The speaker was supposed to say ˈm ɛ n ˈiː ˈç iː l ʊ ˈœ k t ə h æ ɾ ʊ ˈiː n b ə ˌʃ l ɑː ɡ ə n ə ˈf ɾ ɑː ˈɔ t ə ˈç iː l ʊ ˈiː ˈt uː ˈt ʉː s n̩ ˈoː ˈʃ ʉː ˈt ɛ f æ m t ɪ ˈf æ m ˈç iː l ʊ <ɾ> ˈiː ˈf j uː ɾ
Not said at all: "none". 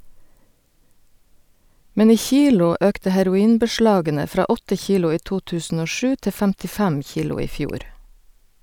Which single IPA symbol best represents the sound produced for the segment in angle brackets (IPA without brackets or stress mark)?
none